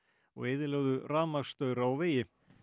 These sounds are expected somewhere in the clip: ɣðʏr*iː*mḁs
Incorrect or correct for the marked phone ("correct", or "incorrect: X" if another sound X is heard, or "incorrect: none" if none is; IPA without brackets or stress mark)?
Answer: incorrect: aː